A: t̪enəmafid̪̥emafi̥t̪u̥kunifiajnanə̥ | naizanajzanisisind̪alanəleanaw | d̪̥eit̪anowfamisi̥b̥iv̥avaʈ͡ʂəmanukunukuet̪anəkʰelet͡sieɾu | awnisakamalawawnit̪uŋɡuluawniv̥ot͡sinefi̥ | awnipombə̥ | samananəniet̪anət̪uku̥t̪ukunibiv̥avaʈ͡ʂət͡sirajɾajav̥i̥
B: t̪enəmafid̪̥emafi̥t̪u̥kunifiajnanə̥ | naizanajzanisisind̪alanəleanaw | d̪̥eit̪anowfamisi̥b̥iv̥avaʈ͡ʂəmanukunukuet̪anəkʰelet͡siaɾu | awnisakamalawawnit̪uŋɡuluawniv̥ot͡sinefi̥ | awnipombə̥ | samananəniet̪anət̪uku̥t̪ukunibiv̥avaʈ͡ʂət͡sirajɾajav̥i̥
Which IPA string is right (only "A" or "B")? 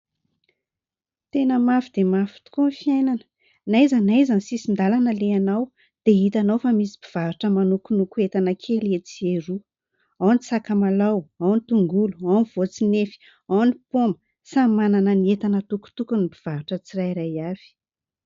A